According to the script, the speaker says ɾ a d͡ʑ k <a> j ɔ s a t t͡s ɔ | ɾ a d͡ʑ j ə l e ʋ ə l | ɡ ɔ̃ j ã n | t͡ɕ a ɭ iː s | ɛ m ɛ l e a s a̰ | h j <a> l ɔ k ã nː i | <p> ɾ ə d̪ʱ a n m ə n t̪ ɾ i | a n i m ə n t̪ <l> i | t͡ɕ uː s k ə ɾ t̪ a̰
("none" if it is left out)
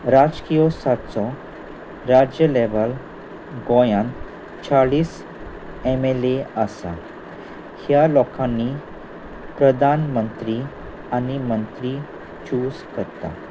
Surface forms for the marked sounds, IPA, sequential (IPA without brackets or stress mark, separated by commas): i, a, p, ɾ